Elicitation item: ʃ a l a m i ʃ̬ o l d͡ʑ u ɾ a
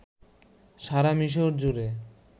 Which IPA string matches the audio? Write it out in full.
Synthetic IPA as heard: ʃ a ɾ a m i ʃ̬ o ɾ d͡ʑ u ɾ e